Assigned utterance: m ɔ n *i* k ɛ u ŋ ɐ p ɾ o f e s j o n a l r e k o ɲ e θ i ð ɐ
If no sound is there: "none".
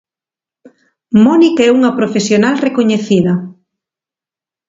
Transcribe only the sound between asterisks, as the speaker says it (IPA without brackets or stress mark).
i